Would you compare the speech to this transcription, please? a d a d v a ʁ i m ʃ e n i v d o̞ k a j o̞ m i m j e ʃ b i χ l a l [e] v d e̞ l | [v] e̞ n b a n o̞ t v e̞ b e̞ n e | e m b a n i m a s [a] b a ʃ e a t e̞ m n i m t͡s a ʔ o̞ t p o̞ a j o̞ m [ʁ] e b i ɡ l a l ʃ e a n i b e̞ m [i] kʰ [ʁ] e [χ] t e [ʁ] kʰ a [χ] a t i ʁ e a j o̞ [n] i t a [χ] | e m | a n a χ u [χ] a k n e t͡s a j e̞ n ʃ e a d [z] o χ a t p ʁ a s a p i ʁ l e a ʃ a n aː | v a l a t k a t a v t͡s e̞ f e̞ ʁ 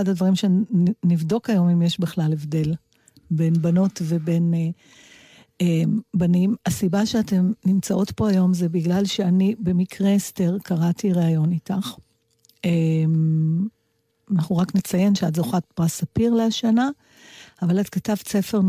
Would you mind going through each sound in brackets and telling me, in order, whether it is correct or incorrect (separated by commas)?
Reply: correct, incorrect, incorrect, incorrect, correct, correct, incorrect, correct, incorrect, correct, correct, incorrect, correct